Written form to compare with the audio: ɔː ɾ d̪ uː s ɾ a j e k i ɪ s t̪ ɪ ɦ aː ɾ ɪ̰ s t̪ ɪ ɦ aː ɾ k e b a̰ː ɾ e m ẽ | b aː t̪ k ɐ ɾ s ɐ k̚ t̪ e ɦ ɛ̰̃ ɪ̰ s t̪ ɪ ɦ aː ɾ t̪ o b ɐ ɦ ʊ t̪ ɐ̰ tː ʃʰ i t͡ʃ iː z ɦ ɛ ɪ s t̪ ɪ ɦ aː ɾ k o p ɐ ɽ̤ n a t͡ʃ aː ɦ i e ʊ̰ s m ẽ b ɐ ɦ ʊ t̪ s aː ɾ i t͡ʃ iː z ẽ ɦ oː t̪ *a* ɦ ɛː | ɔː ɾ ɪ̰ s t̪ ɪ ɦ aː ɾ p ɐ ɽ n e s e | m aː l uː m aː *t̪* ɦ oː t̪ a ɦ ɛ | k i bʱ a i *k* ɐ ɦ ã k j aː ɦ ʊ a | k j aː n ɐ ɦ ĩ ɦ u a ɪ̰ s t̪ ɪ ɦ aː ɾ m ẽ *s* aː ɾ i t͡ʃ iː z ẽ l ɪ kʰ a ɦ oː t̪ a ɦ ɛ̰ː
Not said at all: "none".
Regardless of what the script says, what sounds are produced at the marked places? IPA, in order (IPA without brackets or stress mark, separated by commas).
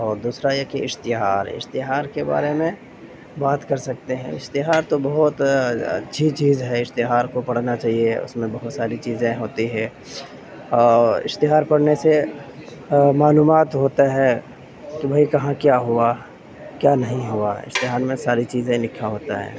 i, t̪, k, s